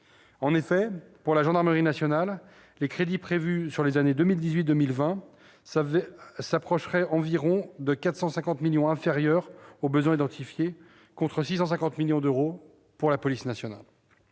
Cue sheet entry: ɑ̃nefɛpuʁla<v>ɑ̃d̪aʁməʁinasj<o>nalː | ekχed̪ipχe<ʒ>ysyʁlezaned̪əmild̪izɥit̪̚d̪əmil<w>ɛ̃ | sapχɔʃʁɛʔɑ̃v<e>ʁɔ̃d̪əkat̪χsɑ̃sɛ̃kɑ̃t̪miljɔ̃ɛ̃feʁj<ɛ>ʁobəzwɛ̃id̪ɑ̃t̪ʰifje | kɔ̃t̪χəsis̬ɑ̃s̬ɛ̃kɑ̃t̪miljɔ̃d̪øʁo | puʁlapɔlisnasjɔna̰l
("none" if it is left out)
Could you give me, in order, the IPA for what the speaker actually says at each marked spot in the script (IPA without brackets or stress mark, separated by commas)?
ʒ, ɔ, v, v, i, œ